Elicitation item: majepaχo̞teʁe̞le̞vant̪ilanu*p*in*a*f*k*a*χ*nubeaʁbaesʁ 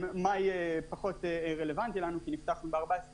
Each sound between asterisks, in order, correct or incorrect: incorrect: k, incorrect: i, incorrect: t, correct

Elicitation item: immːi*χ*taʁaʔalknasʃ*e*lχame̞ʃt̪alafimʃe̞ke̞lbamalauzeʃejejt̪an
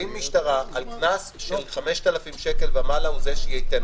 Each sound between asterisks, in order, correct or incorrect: incorrect: ʃ, correct

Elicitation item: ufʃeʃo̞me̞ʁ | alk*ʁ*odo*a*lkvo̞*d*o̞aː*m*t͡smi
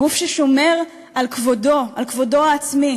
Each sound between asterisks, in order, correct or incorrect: incorrect: v, correct, correct, incorrect: none

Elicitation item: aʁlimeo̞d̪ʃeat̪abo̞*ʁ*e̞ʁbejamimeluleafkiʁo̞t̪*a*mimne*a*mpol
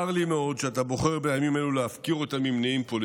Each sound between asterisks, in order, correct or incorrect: incorrect: χ, correct, incorrect: i

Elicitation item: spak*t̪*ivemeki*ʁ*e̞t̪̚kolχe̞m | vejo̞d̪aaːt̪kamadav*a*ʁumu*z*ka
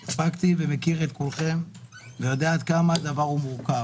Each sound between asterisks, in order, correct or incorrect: correct, correct, correct, incorrect: ʁ

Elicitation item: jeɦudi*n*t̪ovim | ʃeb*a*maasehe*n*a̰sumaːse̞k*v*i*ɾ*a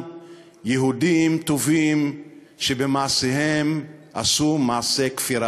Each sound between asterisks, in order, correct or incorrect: incorrect: m, incorrect: e, incorrect: m, incorrect: f, correct

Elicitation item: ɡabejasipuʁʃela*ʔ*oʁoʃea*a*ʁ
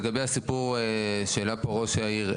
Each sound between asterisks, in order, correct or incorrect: incorrect: p, incorrect: i

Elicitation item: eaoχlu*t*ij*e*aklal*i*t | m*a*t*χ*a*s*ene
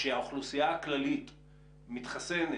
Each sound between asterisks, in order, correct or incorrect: incorrect: s, incorrect: a, correct, incorrect: i, correct, correct

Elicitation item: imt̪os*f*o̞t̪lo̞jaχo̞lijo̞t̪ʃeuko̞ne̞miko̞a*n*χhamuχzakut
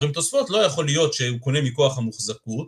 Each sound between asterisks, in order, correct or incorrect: correct, incorrect: none

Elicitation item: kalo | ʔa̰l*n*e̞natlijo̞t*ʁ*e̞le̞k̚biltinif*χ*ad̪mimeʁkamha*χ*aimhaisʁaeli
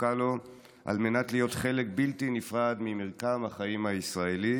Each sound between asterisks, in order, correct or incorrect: incorrect: m, incorrect: χ, incorrect: ʁ, correct

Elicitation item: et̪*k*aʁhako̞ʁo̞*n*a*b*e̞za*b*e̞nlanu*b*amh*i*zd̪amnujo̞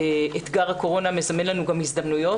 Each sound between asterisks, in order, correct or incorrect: incorrect: ɡ, correct, incorrect: m, incorrect: m, incorrect: ɡ, correct

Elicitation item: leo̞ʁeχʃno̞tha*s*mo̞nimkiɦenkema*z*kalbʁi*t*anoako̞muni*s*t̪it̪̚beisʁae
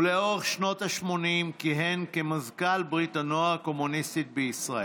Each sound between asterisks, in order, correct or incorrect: incorrect: ʃ, correct, correct, correct

